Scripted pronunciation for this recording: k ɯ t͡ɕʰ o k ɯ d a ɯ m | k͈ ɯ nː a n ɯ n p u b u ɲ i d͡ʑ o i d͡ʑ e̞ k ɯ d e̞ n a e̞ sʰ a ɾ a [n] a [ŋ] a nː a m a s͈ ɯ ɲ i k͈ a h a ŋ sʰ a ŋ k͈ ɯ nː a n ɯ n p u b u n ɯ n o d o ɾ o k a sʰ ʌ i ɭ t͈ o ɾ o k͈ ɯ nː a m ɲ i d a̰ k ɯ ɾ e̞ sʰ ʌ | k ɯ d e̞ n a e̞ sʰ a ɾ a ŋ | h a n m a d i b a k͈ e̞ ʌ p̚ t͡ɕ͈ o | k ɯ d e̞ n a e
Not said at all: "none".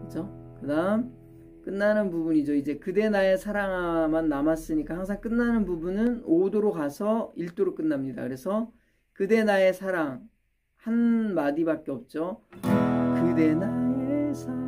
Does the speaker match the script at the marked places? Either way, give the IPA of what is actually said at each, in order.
ŋ, m

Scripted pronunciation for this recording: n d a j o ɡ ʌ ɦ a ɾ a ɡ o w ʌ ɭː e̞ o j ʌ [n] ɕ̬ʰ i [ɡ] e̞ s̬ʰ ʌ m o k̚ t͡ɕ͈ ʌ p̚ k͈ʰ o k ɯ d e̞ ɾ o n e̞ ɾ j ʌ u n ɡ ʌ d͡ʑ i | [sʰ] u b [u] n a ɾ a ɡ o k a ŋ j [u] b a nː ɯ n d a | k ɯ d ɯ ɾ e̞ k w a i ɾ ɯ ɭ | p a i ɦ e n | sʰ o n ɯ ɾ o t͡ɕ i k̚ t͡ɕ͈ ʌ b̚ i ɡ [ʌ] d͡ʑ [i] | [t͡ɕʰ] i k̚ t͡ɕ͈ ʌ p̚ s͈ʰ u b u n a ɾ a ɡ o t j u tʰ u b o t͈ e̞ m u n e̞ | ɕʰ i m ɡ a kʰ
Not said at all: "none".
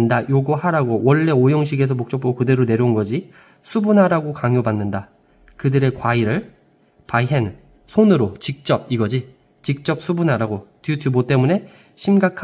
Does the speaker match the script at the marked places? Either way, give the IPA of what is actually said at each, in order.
ŋ, ɡ, sʰ, u, o, ʌ, i, t͡ɕ

